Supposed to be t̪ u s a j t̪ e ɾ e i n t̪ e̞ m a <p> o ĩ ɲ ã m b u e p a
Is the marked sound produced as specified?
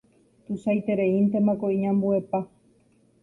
no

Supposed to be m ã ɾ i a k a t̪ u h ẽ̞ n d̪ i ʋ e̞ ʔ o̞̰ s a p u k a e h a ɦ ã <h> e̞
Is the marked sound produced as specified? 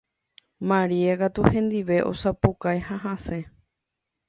no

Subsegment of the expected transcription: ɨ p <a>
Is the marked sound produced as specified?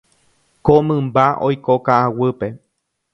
no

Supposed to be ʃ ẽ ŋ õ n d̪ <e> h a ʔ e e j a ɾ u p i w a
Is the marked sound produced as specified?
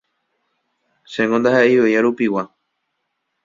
no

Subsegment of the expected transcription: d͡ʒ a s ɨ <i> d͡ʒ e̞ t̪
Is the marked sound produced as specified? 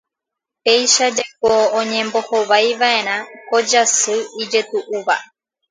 yes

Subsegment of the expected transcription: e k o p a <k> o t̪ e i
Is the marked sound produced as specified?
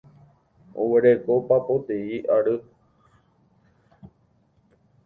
no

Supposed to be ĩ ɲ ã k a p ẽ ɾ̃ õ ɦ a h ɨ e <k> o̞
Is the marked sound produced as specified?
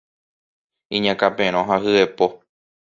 no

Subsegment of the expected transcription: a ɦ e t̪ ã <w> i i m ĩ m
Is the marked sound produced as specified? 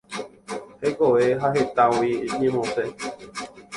yes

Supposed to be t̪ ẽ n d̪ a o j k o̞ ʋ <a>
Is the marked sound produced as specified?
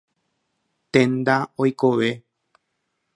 no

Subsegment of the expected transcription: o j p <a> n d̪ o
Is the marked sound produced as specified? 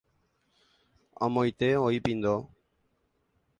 no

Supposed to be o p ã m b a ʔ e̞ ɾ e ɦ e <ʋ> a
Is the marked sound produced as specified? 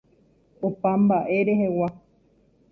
no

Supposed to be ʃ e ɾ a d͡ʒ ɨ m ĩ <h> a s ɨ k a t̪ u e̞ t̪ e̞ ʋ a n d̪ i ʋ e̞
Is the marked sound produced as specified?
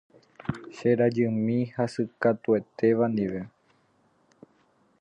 yes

